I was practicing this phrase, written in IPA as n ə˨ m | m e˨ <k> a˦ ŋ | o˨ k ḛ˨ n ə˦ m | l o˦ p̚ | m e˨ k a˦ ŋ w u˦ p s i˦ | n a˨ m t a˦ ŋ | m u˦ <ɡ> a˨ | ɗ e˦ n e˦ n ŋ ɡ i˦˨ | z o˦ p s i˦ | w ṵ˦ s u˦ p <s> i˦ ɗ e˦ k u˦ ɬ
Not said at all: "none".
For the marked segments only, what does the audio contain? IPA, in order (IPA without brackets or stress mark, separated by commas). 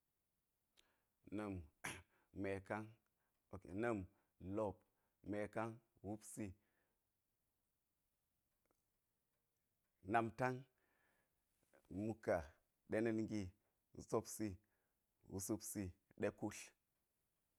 k, k, s